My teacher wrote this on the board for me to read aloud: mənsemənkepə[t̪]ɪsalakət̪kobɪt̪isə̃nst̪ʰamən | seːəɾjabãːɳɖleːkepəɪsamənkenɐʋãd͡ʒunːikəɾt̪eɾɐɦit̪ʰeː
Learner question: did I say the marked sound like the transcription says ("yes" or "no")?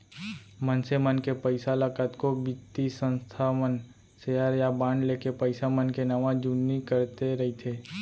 no